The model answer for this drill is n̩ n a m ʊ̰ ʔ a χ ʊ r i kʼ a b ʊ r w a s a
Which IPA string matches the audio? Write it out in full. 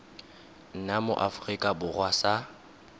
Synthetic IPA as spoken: n̩ n a m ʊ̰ ʔ a f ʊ r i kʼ a b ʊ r w a s a